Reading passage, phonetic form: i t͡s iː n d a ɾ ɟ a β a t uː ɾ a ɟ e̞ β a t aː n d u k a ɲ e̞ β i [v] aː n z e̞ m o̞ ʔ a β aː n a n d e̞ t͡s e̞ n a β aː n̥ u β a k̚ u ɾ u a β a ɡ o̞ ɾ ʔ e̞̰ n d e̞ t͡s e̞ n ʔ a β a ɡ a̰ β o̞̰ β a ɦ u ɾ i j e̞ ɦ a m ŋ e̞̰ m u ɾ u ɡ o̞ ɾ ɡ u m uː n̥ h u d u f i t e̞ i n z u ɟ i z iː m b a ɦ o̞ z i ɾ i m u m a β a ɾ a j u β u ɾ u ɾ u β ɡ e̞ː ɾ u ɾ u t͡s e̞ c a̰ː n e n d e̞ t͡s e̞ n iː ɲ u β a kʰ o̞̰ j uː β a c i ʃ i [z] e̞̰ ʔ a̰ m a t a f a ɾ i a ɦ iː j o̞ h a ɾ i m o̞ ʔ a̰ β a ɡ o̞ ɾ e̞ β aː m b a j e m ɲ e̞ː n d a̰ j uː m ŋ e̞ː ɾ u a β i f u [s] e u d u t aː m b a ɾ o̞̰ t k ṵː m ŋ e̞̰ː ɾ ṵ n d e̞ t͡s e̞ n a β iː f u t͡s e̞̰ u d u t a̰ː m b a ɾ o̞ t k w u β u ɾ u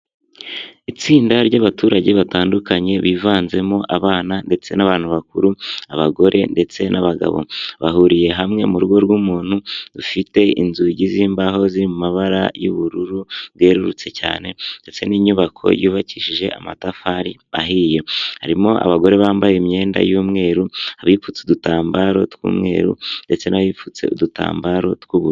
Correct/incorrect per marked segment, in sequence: correct, incorrect, incorrect

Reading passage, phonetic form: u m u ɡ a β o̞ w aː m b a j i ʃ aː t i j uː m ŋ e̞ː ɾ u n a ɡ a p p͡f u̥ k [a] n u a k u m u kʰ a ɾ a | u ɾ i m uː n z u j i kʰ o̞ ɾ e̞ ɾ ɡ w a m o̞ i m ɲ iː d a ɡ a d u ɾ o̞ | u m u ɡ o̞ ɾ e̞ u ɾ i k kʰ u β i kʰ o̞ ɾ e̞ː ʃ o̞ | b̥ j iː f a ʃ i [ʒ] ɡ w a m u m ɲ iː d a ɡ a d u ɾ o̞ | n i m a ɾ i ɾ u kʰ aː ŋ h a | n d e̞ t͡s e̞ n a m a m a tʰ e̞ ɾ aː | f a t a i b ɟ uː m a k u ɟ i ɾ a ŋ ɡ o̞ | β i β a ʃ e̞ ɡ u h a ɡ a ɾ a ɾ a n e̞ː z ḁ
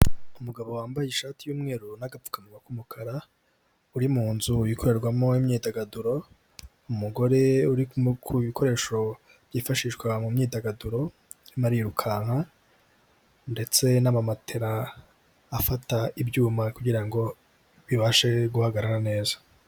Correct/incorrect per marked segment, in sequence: correct, incorrect

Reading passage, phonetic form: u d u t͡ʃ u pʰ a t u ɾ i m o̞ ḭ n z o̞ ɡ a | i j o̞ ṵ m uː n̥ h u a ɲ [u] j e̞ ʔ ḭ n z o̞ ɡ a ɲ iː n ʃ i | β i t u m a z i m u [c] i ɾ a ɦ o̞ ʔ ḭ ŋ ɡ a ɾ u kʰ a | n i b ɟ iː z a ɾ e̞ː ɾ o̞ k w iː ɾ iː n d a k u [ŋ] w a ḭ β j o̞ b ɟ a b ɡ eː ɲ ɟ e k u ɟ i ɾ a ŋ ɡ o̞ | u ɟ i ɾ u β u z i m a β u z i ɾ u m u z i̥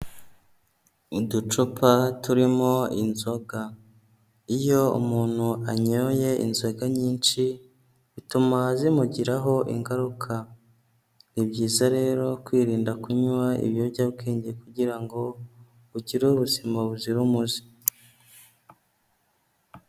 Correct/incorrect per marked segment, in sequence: incorrect, incorrect, incorrect

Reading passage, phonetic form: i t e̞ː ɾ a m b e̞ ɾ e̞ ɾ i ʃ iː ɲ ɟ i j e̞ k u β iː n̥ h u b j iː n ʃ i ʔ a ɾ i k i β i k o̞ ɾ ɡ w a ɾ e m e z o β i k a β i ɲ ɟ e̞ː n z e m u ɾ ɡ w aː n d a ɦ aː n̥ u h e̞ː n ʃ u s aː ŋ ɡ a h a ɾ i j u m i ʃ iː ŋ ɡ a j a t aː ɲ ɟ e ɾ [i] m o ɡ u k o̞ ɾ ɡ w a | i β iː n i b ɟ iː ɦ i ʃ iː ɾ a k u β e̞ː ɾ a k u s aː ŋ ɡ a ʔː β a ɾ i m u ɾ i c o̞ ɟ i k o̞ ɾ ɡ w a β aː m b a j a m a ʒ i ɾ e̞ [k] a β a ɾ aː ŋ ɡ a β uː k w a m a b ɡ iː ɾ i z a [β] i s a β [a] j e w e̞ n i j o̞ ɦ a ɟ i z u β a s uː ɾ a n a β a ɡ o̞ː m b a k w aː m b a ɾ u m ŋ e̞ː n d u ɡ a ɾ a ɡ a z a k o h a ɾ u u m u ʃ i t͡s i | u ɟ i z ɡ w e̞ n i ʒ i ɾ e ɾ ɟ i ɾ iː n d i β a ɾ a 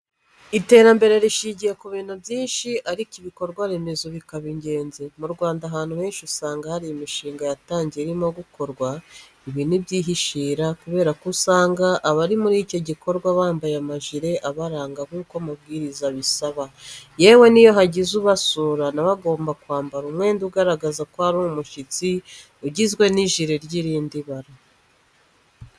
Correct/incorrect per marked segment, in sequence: correct, incorrect, correct, correct

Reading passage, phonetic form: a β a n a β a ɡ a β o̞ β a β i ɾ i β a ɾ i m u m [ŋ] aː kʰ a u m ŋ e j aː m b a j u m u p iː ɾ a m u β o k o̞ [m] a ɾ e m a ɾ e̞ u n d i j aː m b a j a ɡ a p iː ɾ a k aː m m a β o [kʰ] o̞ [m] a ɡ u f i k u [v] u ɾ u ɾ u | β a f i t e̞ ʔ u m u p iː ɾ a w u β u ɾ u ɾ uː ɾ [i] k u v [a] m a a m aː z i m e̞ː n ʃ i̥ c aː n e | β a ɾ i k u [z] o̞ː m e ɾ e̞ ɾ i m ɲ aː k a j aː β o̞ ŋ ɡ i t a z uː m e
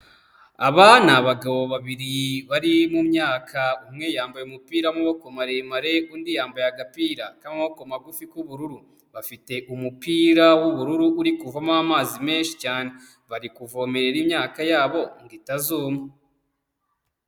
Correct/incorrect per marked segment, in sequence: incorrect, correct, incorrect, correct, incorrect, correct, correct, incorrect

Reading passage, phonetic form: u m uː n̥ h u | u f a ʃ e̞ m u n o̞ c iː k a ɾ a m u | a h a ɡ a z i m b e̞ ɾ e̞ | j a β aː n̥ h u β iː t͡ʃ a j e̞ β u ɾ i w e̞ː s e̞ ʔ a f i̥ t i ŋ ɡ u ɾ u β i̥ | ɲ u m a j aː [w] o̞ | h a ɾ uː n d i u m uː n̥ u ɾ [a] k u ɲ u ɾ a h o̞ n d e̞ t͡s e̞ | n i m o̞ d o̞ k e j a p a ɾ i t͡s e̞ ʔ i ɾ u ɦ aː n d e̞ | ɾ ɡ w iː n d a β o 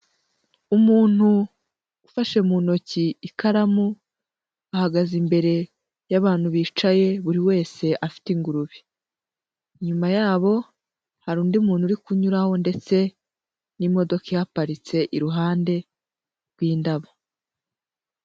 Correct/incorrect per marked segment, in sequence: incorrect, incorrect

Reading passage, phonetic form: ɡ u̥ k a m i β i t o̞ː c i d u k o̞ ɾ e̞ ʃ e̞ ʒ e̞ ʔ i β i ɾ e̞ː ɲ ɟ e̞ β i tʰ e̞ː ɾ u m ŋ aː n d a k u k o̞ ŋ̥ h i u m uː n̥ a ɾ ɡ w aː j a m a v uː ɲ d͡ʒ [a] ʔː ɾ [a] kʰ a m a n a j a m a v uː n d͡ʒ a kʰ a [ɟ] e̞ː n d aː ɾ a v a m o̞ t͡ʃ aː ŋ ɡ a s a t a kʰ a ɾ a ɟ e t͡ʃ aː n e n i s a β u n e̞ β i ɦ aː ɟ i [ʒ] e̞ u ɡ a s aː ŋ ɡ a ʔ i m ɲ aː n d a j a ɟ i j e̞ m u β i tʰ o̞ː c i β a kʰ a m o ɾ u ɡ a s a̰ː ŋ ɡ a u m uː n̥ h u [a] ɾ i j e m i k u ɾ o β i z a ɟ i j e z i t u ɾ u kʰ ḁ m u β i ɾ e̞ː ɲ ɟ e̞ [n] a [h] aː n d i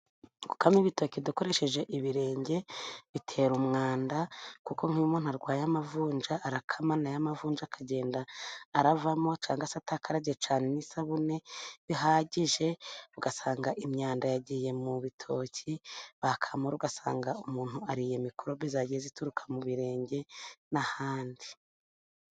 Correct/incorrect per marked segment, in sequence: correct, correct, correct, correct, correct, correct, correct

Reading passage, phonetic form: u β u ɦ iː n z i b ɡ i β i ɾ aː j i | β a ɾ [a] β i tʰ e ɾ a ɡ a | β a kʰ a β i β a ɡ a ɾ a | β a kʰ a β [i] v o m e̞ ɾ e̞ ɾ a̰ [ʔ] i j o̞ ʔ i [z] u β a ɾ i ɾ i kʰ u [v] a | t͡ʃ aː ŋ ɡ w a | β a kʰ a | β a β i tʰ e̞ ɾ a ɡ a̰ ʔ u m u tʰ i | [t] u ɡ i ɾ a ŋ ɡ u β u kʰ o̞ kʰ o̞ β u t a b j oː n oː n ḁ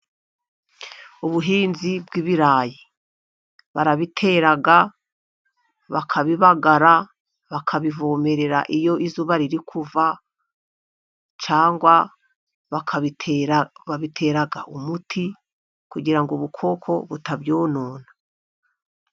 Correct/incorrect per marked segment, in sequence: correct, correct, correct, correct, correct, incorrect

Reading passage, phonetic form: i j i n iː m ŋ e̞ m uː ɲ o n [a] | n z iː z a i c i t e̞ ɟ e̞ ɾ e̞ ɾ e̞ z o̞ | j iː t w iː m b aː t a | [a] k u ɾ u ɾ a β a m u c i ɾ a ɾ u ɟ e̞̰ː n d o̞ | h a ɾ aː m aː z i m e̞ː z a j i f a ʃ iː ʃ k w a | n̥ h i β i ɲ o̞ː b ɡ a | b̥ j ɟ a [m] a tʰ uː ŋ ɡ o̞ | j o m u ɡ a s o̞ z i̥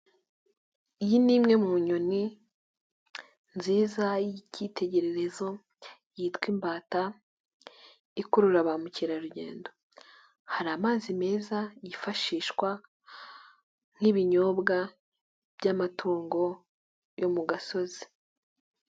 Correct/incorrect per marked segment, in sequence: incorrect, incorrect, correct

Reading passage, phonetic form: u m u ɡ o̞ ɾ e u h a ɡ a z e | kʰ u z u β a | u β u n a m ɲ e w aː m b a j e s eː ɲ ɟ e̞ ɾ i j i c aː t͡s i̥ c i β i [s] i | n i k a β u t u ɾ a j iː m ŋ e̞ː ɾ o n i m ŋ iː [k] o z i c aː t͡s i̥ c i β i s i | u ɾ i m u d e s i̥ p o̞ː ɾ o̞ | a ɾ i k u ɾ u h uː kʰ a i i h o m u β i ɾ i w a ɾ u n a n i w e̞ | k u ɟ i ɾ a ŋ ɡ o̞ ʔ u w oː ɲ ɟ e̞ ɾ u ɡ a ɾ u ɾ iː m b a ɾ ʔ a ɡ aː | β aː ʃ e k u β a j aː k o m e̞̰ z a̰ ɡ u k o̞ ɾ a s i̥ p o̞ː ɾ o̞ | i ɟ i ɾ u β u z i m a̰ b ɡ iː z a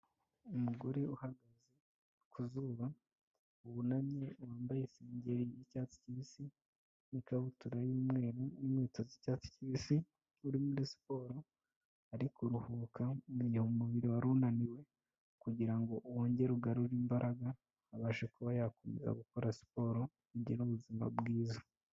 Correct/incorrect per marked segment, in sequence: correct, incorrect

